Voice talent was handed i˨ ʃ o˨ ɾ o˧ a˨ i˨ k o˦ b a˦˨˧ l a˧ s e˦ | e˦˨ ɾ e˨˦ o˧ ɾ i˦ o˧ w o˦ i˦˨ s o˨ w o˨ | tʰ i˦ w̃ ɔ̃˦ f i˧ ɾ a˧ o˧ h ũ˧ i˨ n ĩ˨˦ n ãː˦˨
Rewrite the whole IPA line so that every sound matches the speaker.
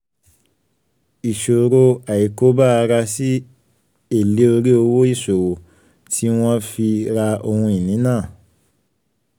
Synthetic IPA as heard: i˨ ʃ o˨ ɾ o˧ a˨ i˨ k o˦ b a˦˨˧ ɾ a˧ s i˦ | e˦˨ l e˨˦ o˧ ɾ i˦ o˧ w o˦ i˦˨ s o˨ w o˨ | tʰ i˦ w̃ ɔ̃˦ f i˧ ɾ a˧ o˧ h ũ˧ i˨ n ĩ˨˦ n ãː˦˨